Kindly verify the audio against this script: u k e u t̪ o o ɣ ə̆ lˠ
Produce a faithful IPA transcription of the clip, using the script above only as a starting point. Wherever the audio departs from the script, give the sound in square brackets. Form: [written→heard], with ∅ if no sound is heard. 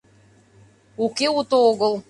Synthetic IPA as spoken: u k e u t̪ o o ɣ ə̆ lˠ